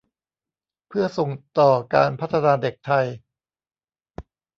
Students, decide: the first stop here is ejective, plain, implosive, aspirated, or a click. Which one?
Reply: aspirated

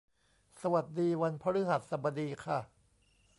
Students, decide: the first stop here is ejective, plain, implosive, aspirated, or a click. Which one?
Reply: plain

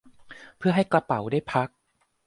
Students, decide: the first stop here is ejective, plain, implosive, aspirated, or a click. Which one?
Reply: aspirated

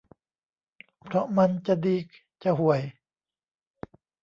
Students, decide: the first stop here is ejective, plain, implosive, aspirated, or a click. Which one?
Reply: aspirated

